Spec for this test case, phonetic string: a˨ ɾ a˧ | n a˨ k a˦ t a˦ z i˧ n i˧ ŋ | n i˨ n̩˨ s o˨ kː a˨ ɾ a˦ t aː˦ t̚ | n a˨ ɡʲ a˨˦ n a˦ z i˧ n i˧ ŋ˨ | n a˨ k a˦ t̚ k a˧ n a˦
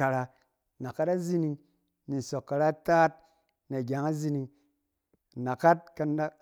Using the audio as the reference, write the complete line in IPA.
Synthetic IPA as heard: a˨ ɾ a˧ | n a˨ k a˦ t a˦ z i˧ n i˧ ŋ | n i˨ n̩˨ s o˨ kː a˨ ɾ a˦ t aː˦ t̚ | n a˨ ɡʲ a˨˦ ŋ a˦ z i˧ n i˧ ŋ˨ | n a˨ k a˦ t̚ k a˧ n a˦